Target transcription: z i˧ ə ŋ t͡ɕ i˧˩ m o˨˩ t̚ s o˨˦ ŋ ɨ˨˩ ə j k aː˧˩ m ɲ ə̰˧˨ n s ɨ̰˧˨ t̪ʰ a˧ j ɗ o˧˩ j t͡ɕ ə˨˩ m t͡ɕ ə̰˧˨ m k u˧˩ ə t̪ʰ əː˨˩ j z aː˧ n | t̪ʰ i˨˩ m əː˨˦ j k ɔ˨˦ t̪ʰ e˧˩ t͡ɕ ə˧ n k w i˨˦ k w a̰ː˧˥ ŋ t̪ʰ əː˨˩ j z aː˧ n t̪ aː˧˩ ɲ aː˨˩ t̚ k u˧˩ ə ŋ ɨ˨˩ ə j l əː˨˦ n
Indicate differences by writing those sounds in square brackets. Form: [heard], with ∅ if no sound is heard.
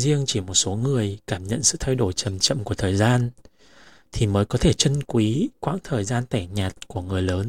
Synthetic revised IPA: z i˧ ə ŋ t͡ɕ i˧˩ m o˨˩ t̚ s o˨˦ ŋ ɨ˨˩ ə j k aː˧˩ m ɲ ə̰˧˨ n s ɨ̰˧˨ t̪ʰ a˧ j ɗ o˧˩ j t͡ɕ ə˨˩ m t͡ɕ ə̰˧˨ m k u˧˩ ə t̪ʰ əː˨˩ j z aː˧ n | t̪ʰ i˨˩ m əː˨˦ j k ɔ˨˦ t̪ʰ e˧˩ t͡ɕ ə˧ n k w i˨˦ k w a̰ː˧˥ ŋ t̪ʰ əː˨˩ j z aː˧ n t̪ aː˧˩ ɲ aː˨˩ t̚ k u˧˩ ə ŋ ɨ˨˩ ə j l əː˨˦ n